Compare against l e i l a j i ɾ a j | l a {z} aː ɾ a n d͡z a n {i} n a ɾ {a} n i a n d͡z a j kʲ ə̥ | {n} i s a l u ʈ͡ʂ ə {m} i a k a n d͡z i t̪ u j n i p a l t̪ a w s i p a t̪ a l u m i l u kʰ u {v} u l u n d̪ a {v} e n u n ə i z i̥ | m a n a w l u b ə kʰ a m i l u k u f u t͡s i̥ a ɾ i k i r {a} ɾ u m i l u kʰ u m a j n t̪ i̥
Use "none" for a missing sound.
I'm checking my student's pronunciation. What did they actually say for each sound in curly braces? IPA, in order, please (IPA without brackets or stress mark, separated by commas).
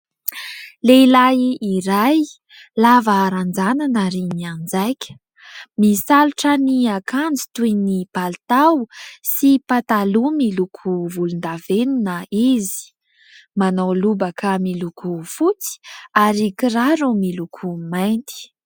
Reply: v, a, i, m, n, v, v, a